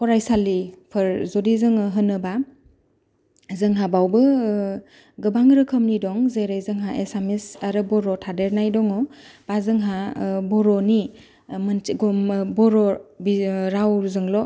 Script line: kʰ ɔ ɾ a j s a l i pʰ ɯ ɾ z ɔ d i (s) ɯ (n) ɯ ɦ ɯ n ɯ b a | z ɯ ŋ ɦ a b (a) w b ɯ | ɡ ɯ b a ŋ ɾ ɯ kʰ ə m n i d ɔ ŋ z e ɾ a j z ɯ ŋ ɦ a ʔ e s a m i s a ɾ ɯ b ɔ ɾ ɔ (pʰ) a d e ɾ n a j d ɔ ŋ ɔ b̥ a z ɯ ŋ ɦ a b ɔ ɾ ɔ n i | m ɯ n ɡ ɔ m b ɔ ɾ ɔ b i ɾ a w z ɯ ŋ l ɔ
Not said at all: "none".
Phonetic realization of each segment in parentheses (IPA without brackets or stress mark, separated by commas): z, ŋ, a, tʰ